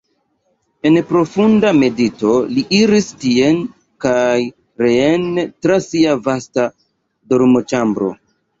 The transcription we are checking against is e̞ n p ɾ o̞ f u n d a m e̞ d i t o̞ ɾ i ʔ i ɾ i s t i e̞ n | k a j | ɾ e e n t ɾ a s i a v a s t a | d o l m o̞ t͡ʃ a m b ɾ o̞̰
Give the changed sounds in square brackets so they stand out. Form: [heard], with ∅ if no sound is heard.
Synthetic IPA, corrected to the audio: e̞ n p ɾ o̞ f u n d a m e̞ d i t o̞ [l] i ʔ i ɾ i s t i e̞ n | k a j | ɾ e e n t ɾ a s i a v a s t a | d o [ɾ] m o̞ t͡ʃ a m b ɾ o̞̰